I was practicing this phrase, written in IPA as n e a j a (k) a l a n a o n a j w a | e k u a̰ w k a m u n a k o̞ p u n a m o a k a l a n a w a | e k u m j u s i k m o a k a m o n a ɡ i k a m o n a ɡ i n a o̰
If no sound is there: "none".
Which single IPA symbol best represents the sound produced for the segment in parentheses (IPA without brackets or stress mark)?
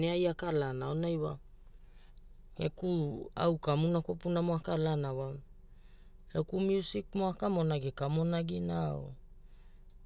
k